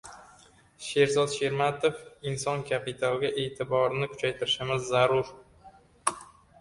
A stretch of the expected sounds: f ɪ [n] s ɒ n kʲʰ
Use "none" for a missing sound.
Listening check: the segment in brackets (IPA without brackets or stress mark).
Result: n